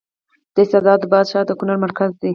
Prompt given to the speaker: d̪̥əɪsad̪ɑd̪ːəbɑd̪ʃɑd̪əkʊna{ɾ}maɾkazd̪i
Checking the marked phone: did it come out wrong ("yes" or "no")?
no